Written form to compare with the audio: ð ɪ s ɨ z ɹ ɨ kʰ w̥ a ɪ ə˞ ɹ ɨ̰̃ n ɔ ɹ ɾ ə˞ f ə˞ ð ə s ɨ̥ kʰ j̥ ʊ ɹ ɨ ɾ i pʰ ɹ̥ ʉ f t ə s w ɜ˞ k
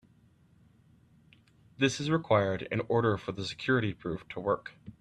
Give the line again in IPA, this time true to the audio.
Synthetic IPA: ð ɪ s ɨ z ɹ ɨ kʰ w̥ a ɪ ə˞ ɾ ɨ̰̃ n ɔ ɹ ɾ ə˞ f ə˞ ð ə s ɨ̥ kʰ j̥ ʊ ɹ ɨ ɾ i pʰ ɹ̥ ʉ f tʰ ə w ɜ˞ k

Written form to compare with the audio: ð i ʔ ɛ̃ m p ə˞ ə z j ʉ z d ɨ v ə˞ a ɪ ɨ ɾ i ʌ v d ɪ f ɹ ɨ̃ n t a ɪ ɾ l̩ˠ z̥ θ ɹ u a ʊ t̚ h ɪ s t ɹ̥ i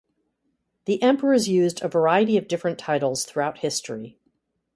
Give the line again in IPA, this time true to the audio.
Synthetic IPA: ð i ʔ ɛ̃ m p ə˞ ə z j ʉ z d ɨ v ə˞ a ɪ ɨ ɾ i ʌ v d ɪ f ɹ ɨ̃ n tʰ a ɪ ɾ l̩ˠ z̥ θ ɹ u a ʊ t̚ h ɪ s t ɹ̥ i

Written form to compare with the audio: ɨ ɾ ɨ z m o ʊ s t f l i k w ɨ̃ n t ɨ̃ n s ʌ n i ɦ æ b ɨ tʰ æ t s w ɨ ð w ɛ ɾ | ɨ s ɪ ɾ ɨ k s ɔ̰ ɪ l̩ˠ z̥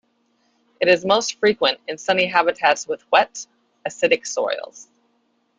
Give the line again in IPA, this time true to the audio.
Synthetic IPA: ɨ ɾ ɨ z m o ʊ s t f ɹ i k w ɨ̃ n t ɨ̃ n s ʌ n i ɦ æ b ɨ tʰ æ t s w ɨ ð w ɛ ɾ | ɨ s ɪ ɾ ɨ k s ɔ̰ ɪ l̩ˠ z̥

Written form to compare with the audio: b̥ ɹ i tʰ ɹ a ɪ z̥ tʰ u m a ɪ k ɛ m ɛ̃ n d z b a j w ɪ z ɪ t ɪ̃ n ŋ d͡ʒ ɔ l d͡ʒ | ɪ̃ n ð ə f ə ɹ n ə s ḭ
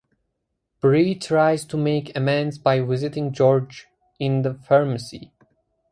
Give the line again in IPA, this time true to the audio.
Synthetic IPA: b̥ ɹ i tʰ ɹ a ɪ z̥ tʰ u m e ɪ k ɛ m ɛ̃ n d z b a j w ɪ z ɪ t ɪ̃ ŋ d͡ʒ ɔ ɹ d͡ʒ | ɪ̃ n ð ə f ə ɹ m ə s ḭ

